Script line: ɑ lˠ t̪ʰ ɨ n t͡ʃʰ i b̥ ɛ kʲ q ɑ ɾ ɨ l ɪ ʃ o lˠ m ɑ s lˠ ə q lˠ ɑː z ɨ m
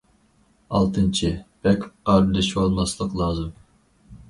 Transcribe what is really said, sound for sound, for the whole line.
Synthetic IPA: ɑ lˠ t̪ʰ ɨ n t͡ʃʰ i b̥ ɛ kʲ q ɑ ɾ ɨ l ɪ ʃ o lˠ m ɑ s lˠ ə q lˠ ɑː z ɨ m